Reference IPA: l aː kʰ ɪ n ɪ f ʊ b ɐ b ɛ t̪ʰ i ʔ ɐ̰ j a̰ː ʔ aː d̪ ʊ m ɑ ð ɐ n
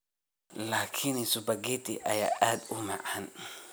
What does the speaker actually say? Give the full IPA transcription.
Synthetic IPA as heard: l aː kʰ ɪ n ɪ s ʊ b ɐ ɡ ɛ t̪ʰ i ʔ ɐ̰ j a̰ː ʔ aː d̪ ʊ m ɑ ʕ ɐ n